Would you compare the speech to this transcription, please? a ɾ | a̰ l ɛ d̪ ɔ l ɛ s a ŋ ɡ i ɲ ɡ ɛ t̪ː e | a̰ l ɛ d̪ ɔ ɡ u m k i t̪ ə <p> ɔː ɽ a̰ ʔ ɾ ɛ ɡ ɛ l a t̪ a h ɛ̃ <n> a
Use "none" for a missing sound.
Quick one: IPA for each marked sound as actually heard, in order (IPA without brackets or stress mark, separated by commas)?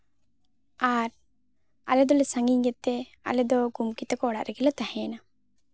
k, n